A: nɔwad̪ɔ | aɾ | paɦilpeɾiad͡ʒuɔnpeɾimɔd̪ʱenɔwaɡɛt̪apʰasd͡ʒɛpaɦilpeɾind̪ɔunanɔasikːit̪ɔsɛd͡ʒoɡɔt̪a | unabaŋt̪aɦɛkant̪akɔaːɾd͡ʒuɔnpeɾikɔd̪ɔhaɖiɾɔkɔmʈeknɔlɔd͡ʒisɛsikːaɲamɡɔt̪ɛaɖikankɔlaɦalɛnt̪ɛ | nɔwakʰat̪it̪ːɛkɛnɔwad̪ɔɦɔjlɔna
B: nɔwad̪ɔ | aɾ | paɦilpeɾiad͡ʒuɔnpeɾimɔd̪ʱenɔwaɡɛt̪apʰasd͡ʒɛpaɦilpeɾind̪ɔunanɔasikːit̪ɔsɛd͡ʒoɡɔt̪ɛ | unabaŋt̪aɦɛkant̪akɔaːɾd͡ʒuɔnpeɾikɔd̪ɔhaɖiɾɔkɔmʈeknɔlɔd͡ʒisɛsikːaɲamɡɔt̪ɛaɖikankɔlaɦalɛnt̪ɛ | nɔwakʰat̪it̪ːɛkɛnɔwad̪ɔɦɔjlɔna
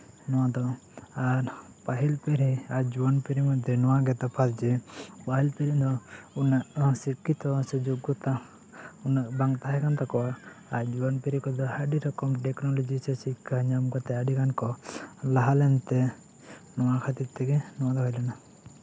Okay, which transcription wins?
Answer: A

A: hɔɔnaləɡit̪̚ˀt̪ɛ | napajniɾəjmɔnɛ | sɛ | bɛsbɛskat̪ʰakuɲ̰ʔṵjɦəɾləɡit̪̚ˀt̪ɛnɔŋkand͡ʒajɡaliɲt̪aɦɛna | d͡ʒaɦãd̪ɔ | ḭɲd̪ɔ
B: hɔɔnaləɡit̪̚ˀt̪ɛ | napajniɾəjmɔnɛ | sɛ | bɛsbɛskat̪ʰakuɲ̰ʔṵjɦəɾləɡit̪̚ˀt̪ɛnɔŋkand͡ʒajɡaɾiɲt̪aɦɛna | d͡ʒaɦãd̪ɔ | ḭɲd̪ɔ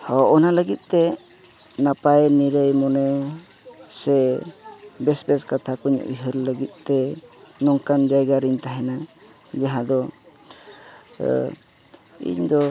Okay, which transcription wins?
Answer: B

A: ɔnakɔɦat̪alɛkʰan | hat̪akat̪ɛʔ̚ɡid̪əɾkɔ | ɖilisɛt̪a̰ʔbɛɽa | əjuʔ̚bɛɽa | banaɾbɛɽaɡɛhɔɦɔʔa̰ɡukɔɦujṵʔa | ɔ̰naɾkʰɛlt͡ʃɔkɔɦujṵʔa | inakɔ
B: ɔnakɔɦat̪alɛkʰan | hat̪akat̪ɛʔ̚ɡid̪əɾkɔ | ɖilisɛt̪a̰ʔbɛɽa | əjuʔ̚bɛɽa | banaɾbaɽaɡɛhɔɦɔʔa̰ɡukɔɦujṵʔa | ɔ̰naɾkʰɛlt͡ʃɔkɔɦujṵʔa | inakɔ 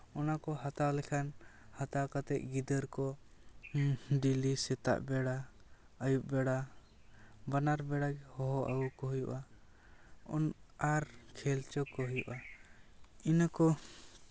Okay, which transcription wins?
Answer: A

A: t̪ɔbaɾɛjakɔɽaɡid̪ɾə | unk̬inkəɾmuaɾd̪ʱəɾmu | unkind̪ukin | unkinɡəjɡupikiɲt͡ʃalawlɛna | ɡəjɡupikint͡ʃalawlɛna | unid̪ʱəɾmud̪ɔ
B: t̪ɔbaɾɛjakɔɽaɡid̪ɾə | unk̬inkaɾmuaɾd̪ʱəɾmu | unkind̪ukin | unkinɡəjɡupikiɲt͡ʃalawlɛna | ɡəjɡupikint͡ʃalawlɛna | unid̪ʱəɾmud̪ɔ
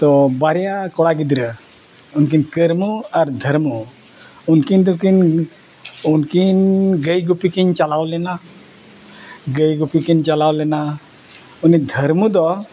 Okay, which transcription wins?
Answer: A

